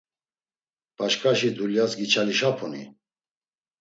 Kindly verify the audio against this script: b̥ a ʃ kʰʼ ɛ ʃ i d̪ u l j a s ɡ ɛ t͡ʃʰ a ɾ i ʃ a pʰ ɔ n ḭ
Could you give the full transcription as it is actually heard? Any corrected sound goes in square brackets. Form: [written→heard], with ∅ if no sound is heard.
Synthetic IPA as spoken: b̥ a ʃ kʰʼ [ɛ→a] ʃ i d̪ u l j a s ɡ [ɛ→i] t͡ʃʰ a [ɾ→l] i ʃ a pʰ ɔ n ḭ